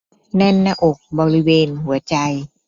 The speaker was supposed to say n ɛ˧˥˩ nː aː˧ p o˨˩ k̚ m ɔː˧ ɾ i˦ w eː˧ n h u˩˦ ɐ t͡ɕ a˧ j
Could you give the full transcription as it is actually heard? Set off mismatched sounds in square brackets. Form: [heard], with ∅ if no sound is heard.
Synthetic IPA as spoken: n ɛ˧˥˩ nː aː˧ [ʔ] o˨˩ k̚ [b] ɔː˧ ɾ i˦ w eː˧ n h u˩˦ ɐ t͡ɕ a˧ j